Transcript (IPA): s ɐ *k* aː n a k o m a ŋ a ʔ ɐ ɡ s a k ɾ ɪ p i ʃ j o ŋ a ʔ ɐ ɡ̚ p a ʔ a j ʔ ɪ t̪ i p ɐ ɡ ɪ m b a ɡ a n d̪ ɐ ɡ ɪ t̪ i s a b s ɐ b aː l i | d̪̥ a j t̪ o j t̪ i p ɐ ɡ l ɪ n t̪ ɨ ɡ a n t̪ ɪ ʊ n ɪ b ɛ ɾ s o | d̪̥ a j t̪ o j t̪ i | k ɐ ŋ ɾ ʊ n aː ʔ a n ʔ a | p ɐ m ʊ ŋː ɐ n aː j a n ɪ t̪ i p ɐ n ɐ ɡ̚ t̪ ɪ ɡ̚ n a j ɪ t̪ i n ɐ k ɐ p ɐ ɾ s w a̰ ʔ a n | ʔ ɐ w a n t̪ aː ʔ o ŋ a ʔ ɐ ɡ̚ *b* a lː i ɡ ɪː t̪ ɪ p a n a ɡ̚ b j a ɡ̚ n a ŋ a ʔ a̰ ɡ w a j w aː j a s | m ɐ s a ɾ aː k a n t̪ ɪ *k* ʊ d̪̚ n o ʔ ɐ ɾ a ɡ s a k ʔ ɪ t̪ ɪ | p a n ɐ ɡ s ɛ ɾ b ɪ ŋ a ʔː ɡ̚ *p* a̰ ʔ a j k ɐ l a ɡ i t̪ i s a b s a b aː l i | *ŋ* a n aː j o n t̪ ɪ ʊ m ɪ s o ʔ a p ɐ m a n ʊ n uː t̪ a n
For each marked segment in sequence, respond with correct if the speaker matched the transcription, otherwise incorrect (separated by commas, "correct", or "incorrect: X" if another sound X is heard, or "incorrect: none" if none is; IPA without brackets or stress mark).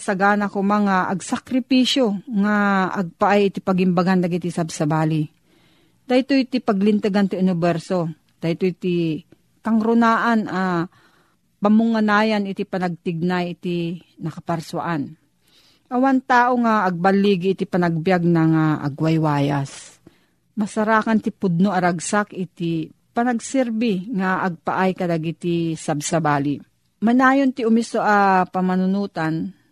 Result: incorrect: ɡ, correct, incorrect: p, correct, incorrect: m